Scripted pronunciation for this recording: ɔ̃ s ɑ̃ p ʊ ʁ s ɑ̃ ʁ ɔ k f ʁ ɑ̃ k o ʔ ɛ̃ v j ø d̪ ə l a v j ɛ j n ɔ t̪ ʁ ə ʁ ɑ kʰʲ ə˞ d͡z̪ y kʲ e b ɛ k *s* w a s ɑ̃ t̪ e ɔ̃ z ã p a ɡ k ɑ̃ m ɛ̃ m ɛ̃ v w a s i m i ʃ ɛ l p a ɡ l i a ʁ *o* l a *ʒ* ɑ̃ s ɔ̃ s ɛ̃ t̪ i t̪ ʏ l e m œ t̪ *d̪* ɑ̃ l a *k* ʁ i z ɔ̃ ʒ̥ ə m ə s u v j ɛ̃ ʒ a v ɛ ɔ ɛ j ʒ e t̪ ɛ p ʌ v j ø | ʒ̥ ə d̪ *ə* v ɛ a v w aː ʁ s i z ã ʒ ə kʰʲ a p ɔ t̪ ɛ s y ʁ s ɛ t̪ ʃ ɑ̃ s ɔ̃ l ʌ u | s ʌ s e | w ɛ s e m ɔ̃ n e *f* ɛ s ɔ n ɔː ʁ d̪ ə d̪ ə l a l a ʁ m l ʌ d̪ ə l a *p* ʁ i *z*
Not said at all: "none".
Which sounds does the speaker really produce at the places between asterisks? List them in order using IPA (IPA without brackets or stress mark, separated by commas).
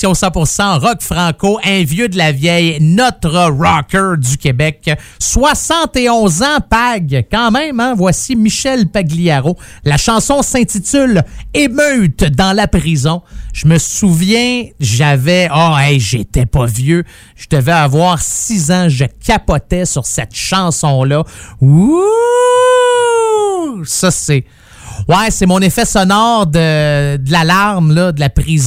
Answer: s, o, ʃ, d̪, p, ə, f, p, z